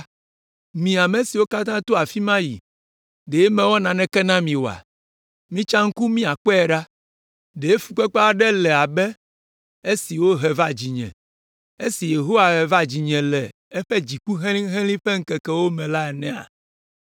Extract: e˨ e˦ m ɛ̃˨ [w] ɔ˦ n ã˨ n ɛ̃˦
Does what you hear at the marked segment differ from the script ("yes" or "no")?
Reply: no